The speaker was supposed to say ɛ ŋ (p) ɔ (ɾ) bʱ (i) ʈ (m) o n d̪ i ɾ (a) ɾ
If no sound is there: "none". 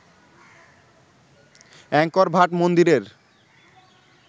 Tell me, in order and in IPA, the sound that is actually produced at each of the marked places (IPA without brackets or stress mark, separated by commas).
k, ɾ, a, m, e